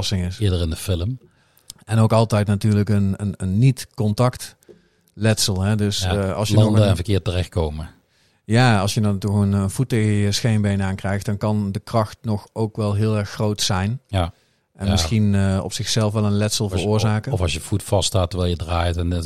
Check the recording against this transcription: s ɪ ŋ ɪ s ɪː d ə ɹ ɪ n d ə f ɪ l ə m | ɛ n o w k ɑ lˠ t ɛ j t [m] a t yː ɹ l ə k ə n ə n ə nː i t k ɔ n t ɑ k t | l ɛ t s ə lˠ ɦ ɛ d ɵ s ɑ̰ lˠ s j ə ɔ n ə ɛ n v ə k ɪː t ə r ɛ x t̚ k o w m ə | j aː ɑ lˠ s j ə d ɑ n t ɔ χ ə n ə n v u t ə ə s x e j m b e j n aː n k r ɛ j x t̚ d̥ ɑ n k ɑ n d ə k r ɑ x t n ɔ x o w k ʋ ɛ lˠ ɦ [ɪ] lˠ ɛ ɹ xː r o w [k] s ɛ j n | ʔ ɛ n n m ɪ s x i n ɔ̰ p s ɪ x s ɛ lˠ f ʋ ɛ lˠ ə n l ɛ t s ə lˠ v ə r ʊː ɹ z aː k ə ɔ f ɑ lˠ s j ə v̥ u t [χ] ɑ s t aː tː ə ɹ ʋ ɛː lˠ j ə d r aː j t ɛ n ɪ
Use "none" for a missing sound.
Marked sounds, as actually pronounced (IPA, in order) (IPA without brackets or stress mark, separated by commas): n, ɪː, t, f